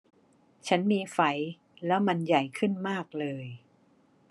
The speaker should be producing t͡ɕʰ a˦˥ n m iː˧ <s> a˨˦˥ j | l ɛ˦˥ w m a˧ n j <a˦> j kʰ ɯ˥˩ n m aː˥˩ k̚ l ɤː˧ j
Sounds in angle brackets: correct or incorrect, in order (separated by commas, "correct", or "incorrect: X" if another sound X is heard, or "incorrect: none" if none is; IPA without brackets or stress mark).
incorrect: f, incorrect: a˨˩